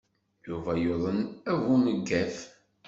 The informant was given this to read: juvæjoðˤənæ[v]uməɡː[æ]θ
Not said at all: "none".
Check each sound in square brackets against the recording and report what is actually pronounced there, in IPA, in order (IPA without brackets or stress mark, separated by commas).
v, æ